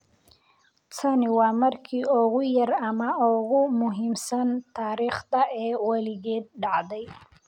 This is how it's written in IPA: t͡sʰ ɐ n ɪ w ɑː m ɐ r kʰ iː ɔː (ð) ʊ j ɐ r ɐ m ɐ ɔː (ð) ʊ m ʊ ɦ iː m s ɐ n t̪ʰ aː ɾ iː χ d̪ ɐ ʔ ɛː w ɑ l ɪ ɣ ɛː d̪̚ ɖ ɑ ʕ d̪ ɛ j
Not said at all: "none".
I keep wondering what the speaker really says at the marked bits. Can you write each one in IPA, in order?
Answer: ɣ, ɣ

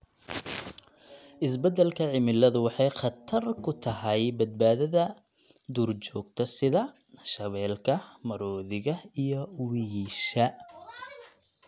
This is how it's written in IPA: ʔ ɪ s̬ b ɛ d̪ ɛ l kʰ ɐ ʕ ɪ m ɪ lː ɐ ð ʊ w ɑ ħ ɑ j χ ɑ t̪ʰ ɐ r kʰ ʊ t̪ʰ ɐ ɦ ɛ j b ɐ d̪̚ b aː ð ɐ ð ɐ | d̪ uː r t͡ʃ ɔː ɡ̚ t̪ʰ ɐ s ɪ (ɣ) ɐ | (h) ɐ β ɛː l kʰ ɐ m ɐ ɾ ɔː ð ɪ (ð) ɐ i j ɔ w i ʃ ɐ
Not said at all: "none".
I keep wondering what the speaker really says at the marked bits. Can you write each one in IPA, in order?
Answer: ð, ʃ, ɣ

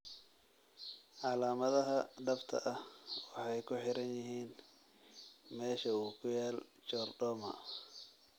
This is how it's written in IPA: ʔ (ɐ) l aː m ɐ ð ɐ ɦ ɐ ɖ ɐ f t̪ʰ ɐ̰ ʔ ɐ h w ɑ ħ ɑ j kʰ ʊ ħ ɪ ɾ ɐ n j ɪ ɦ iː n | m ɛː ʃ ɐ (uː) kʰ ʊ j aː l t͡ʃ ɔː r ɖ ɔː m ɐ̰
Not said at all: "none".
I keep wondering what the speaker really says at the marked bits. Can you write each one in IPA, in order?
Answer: ɑ, uː

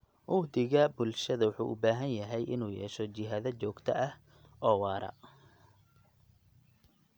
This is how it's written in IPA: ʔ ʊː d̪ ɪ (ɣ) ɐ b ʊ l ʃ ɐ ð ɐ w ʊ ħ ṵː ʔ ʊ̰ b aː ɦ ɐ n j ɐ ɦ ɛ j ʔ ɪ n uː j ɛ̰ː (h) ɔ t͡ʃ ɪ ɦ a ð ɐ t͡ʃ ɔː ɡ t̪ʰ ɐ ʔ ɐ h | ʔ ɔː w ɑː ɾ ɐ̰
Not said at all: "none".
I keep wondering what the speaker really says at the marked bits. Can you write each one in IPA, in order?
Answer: ɣ, ʃ

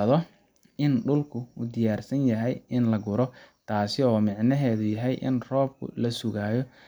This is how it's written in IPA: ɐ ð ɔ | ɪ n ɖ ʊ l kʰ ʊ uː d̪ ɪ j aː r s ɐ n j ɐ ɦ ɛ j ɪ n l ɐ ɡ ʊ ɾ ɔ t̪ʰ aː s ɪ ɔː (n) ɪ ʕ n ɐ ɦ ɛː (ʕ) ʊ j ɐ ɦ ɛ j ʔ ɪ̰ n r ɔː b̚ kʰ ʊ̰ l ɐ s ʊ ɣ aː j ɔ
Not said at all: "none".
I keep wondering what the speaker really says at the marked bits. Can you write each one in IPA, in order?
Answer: m, ð

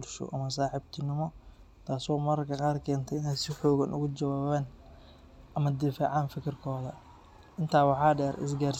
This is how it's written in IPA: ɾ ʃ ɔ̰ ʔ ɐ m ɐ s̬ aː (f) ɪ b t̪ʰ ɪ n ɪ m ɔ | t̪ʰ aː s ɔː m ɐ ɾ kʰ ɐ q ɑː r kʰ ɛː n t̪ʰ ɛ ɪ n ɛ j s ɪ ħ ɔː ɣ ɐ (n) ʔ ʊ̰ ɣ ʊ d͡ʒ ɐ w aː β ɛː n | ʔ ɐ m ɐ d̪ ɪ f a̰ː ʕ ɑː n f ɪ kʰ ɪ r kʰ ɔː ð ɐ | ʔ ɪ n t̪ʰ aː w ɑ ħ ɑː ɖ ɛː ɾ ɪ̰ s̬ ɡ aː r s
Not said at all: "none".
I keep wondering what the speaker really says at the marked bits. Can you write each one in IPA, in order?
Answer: ħ, n

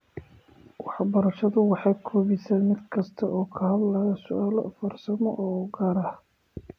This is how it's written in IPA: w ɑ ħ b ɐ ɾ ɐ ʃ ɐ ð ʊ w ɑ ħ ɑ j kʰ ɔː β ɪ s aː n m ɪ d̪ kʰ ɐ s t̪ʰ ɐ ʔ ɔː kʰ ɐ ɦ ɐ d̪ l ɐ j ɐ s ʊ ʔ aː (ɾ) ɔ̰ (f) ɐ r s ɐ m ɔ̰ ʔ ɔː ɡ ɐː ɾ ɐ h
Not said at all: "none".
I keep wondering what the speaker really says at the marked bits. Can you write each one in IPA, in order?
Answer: l, f

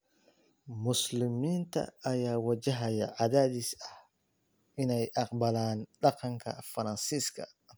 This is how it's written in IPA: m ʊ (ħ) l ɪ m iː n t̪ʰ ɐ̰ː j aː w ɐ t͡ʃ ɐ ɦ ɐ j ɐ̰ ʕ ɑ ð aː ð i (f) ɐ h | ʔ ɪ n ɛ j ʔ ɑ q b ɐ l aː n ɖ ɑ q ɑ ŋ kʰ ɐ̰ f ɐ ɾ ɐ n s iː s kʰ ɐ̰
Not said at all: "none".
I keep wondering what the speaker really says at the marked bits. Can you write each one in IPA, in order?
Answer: s, s

